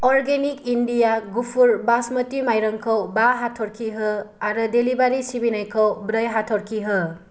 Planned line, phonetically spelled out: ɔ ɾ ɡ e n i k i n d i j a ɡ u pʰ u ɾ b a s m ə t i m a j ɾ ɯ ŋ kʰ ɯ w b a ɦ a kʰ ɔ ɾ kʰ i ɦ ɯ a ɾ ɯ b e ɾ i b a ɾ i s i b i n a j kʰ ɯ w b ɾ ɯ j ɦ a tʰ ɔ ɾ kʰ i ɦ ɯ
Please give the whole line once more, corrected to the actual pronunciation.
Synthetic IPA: ɔ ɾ ɡ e n i k i n d i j a ɡ u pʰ u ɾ b a s m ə t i m a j ɾ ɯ ŋ kʰ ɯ w b a ɦ a tʰ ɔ ɾ kʰ i ɦ ɯ a ɾ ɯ d e l i b a ɾ i s i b i n a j kʰ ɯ w b ɾ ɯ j ɦ a tʰ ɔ ɾ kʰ i ɦ ɯ